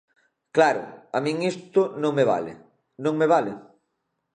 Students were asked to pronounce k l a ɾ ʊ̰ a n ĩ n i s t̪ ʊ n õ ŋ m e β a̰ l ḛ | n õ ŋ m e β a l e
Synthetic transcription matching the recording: k l a ɾ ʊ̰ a m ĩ ŋ i s t̪ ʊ n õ ŋ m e β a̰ l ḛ | n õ ŋ m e β a l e